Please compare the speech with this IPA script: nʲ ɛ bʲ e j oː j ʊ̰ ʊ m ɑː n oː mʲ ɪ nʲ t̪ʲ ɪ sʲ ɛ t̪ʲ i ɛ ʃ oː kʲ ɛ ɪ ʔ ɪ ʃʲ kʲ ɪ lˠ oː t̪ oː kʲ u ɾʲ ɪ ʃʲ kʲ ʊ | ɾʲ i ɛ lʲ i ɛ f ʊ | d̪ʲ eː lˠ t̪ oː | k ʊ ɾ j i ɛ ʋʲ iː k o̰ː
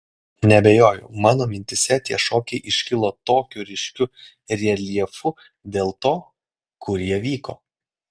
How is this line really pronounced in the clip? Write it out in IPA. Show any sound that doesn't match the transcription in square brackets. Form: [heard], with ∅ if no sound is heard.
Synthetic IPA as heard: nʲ ɛ bʲ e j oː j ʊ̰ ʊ m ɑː n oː mʲ ɪ nʲ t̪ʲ ɪ sʲ ɛ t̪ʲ i ɛ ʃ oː kʲ ɛ ɪ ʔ ɪ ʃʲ kʲ ɪ lˠ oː t̪ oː kʲ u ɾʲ ɪ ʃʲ kʲ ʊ | ɾʲ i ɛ lʲ i ɛ f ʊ | d̪ʲ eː lˠ t̪ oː | k ʊ ɾ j i ɛ ʋʲ iː k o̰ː